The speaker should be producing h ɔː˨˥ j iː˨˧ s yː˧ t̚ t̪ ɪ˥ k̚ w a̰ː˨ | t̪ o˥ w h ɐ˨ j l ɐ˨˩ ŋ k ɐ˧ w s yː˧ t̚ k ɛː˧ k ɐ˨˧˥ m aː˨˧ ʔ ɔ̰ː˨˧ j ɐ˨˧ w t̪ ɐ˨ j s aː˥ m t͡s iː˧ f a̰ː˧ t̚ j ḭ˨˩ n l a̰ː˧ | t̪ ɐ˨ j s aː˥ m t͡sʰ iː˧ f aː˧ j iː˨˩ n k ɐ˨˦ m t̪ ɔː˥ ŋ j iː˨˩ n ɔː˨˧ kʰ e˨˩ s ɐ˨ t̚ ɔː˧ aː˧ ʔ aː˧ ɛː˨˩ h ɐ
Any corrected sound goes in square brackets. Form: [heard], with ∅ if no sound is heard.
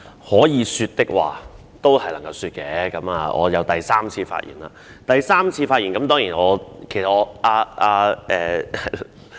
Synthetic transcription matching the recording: h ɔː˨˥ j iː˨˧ s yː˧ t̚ t̪ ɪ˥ k̚ w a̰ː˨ | t̪ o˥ w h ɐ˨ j l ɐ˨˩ ŋ k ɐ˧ w s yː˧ t̚ k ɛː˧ k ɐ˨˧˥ m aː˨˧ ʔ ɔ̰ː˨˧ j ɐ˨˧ w t̪ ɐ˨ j s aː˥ m [t͡sʰ] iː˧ f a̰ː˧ t̚ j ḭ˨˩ n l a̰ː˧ | t̪ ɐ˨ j s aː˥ m t͡sʰ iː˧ f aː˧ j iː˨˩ n k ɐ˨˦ m t̪ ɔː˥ ŋ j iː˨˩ n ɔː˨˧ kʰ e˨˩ s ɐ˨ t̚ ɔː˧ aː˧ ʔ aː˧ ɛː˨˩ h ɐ